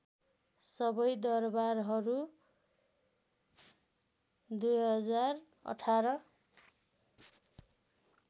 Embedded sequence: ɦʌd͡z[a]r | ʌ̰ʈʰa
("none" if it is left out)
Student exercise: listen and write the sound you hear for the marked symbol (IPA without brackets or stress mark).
a